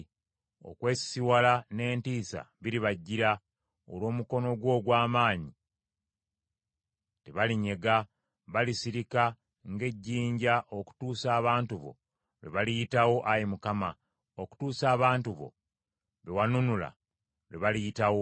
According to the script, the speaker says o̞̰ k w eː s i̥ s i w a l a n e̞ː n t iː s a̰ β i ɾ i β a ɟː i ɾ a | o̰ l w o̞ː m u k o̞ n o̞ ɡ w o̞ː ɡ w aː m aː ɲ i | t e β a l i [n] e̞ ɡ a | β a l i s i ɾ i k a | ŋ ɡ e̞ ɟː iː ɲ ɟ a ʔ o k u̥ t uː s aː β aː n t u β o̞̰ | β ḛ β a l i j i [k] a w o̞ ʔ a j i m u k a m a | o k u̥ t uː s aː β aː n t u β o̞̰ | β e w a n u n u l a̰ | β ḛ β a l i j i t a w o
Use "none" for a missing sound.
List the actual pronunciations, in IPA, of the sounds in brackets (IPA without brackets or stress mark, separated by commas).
ɲ, t